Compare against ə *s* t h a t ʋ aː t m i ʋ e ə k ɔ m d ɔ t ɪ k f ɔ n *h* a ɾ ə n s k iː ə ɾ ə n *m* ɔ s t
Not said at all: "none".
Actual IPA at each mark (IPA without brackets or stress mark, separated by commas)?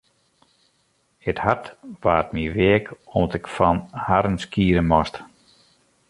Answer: none, h, m